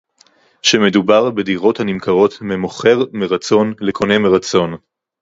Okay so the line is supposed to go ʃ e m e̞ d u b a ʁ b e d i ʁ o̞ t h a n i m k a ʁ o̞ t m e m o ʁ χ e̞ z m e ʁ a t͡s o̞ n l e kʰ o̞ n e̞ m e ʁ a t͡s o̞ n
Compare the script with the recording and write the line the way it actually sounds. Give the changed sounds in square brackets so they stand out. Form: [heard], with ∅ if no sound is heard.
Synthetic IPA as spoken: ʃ e m e̞ d u b a ʁ b e d i ʁ o̞ t h a n i m k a ʁ o̞ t m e m o [∅] χ e̞ [ʁ] m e ʁ a t͡s o̞ n l e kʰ o̞ n e̞ m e ʁ a t͡s o̞ n